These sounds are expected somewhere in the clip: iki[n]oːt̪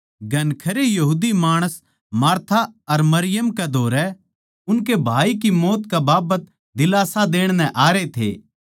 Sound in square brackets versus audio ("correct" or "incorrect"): incorrect